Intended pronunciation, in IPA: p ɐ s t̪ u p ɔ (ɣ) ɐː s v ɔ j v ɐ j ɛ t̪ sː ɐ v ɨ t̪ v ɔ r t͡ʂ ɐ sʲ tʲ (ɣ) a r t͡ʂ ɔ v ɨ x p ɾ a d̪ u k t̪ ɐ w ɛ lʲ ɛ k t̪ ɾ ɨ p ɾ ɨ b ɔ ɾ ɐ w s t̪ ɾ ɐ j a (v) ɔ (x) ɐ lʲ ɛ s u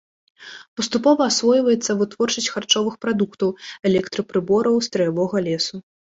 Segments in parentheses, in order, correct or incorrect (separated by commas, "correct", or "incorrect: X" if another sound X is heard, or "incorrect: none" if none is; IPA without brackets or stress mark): incorrect: v, incorrect: x, correct, incorrect: ɣ